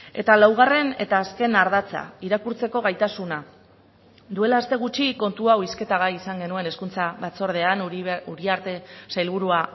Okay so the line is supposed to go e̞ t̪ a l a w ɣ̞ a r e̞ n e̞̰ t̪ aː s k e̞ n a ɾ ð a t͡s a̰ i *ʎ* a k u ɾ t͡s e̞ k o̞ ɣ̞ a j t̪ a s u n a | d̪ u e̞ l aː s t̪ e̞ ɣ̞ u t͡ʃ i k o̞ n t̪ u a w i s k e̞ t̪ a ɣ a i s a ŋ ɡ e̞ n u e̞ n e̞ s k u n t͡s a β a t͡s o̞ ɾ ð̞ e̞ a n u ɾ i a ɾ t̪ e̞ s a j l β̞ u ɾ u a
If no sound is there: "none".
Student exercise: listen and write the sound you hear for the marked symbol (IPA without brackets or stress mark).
ɾ